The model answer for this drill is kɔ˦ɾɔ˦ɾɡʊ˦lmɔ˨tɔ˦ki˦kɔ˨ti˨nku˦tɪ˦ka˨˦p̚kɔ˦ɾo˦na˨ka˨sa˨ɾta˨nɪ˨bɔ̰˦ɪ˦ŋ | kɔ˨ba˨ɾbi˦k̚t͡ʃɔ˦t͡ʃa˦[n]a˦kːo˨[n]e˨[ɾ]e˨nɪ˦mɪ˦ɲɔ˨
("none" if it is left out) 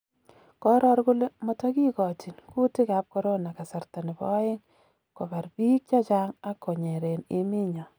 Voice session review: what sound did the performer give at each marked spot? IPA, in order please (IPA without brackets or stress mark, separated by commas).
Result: ŋ, ɲ, ɾ